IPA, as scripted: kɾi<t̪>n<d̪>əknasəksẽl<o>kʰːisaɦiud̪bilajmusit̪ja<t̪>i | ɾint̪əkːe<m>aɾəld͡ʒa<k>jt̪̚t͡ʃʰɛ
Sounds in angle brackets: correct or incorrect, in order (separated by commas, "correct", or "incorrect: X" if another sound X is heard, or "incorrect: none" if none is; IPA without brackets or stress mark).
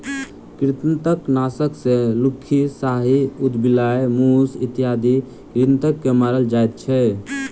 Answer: correct, incorrect: t̪, incorrect: u, incorrect: d̪, correct, incorrect: none